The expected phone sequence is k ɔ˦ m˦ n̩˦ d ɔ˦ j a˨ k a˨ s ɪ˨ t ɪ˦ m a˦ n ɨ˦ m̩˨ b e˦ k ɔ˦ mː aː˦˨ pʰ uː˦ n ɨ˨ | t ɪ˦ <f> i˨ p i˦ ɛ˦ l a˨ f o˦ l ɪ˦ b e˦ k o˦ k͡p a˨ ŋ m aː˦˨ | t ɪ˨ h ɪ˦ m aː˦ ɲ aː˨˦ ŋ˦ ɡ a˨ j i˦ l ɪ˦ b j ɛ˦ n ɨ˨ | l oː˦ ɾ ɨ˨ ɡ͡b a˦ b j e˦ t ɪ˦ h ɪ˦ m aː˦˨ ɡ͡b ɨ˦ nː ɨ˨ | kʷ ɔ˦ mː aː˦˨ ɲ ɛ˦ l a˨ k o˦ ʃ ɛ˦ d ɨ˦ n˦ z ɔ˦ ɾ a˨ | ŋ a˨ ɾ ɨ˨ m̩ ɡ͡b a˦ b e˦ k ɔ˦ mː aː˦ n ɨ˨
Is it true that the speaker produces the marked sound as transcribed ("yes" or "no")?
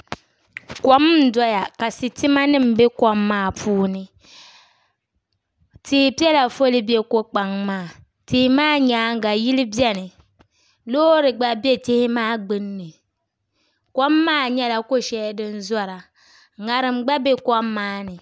no